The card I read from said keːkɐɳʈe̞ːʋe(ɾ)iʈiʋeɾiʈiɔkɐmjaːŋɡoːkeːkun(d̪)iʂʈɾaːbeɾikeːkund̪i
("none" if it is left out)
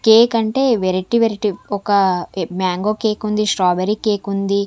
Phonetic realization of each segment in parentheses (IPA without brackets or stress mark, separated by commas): ɾ, d̪